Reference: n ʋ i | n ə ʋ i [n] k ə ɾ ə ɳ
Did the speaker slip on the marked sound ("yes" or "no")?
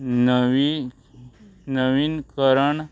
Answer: no